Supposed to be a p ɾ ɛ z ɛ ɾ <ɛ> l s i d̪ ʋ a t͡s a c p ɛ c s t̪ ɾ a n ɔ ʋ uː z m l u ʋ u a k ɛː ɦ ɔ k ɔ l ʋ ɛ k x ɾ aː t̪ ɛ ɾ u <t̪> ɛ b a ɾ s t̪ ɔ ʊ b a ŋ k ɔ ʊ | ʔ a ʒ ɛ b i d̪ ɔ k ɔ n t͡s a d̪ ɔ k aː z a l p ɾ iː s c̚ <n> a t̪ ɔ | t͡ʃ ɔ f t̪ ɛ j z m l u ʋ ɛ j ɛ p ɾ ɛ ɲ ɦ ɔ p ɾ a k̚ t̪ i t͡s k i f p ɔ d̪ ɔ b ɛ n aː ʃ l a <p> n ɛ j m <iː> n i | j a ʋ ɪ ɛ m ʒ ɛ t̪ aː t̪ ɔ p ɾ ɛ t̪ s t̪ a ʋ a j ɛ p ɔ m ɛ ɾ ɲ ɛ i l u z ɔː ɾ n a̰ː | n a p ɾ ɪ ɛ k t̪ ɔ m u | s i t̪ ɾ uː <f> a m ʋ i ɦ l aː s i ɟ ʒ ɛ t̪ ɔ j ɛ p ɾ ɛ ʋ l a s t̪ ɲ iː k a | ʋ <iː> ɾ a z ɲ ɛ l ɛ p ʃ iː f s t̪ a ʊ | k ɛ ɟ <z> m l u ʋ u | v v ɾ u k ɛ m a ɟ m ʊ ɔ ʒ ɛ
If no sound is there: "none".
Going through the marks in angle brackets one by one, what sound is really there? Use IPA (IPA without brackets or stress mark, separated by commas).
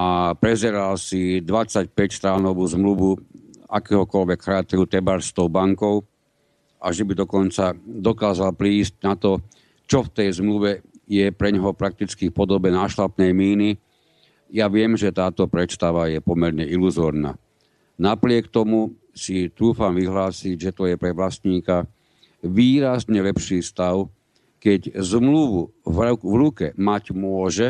a, t̪, n, p, iː, f, iː, z